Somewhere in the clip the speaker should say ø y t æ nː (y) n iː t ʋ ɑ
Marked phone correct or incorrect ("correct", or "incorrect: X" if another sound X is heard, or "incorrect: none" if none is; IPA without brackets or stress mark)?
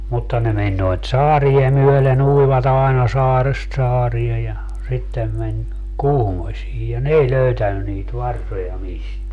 correct